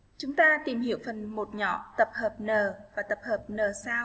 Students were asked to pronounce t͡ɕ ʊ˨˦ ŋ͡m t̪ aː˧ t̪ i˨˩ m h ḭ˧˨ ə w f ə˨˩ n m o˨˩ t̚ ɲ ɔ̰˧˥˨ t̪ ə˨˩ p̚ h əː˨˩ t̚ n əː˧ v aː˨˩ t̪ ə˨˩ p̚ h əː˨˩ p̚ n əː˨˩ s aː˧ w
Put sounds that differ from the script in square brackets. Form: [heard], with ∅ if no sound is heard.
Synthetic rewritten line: t͡ɕ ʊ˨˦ ŋ͡m t̪ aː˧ t̪ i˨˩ m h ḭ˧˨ ə w f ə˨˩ n m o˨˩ t̚ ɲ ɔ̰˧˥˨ t̪ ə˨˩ p̚ h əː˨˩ [p̚] n [əː˨˩] v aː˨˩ t̪ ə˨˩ p̚ h əː˨˩ p̚ n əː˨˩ s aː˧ w